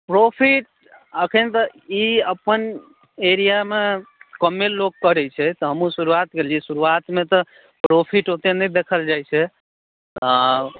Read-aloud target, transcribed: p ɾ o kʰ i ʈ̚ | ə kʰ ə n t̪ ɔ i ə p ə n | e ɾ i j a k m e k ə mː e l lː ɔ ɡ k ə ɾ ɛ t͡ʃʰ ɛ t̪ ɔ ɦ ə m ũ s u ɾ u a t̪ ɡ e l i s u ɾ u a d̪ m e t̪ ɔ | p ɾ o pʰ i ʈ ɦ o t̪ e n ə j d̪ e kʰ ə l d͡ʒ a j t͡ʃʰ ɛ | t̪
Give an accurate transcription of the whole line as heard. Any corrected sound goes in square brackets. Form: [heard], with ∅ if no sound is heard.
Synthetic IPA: p ɾ o [pʰ] i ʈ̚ | ə kʰ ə n t̪ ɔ i ə p ə n | e ɾ i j a [∅] m e k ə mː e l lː [o] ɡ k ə ɾ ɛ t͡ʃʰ ɛ t̪ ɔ ɦ ə m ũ s u ɾ u a t̪ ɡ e l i s u ɾ u a [t̪] m e t̪ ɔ | p ɾ o pʰ i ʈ ɦ o t̪ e n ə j d̪ e kʰ ə l d͡ʒ a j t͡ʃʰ ɛ | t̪